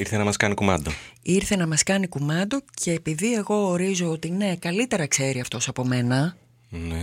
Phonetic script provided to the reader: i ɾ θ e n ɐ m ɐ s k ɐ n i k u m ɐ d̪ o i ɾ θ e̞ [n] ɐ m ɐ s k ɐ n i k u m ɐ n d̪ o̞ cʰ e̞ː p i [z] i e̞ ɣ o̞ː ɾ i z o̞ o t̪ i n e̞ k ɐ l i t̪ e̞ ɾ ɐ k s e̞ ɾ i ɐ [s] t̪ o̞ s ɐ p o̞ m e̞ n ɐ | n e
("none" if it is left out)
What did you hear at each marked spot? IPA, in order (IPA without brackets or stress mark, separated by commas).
n, ð, f